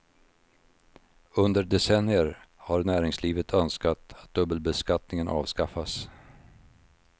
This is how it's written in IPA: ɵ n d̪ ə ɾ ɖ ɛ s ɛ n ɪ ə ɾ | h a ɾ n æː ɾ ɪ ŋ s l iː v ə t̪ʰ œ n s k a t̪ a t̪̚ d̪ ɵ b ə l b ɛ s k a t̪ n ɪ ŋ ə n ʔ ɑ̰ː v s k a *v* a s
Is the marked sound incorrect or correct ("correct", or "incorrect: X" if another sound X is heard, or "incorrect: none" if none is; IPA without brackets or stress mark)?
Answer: incorrect: f